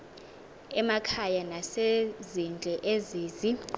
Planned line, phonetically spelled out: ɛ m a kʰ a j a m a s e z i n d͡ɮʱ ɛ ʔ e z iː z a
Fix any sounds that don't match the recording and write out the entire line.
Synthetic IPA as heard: ɛ m a kʰ a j a n a s e z i n d͡ɮʱ ɛ ʔ e z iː z i

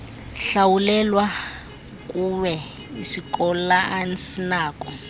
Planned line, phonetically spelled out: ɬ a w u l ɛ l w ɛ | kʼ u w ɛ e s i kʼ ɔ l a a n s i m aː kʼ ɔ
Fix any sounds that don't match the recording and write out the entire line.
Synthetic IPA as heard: ɬ a w u l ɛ l w a | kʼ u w ɛ i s i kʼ ɔ l a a n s i n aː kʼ ɔ

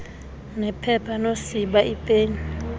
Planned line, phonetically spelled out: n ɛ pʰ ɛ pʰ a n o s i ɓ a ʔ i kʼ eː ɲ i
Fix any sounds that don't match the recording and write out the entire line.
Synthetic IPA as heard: n ɛ pʰ ɛ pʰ a n o s i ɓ a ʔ i pʼ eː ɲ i

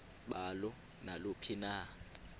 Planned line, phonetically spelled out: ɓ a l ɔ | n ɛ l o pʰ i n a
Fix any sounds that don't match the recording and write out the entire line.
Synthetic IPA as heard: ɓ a l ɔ | n a l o pʰ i n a

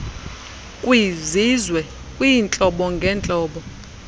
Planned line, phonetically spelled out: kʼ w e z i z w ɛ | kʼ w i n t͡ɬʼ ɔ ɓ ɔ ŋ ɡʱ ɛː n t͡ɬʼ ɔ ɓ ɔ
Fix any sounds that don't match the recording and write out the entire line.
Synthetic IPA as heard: kʼ w i z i z w ɛ | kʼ w i n t͡ɬʼ ɔ ɓ ɔ ŋ ɡʱ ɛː n t͡ɬʼ ɔː ɓ ɔ

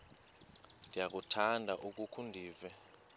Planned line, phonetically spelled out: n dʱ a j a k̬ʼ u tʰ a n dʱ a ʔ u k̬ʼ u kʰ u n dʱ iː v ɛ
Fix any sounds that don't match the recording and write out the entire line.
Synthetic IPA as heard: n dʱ i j a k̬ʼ u tʰ a n dʱ a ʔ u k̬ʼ u kʰ u n dʱ iː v ɛ

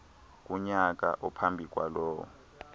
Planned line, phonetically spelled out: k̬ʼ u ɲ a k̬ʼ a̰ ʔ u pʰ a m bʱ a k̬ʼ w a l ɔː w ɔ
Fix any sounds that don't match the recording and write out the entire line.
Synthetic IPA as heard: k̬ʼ u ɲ a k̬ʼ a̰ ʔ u pʰ a m bʱ i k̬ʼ w a l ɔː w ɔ

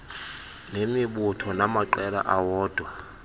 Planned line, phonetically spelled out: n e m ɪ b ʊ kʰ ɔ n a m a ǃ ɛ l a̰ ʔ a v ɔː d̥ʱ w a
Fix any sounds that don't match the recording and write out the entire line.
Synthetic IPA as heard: n e m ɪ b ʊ tʰ ɔ n a m a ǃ ɛ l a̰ ʔ a w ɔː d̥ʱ w a

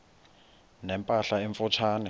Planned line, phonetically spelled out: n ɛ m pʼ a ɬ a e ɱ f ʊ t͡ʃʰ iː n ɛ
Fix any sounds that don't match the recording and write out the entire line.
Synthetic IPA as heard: n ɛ m pʼ a ɬ a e ɱ f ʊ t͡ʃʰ aː n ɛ

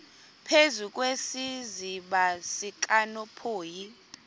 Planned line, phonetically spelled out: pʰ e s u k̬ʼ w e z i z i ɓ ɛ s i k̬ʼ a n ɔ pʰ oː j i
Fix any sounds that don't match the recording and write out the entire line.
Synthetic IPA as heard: pʰ e z u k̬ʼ w e s i z i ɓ a s i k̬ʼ a n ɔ pʰ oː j i

